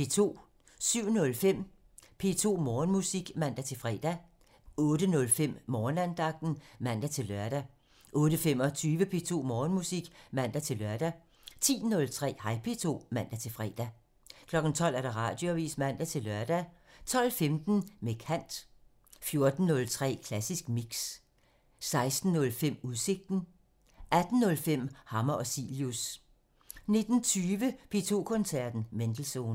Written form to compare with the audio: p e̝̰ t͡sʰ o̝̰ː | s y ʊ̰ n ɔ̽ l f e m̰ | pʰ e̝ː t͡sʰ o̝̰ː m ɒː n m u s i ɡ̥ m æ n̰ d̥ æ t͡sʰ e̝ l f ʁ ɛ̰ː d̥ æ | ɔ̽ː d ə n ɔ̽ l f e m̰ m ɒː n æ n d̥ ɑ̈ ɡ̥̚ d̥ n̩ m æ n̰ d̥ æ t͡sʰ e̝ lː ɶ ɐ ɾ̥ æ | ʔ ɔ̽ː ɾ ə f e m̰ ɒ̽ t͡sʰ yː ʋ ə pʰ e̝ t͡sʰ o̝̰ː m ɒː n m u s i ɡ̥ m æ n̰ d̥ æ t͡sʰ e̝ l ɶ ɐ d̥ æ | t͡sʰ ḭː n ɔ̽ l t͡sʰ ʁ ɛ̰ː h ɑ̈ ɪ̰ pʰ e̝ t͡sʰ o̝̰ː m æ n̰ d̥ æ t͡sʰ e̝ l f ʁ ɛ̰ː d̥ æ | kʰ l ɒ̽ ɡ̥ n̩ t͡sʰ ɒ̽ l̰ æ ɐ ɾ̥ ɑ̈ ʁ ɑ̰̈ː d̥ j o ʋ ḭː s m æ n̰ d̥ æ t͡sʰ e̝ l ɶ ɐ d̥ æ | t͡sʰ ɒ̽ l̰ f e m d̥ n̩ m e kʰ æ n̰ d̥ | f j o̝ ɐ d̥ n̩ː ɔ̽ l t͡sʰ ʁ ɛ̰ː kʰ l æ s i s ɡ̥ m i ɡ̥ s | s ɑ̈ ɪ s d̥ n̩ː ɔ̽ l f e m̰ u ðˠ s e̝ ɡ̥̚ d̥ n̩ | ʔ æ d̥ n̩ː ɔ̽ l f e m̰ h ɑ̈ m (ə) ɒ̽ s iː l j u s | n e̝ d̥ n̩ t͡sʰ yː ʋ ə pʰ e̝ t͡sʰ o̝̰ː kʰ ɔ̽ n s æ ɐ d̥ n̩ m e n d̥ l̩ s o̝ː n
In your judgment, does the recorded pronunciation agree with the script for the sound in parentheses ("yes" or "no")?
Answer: no